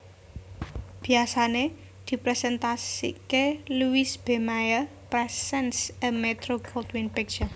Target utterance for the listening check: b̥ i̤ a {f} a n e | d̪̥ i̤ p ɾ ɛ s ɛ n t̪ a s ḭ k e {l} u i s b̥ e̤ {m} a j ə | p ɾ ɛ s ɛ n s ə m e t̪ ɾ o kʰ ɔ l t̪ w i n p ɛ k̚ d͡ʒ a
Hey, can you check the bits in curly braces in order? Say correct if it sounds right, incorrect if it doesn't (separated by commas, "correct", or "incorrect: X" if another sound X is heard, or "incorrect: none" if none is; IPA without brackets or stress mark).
incorrect: s, correct, correct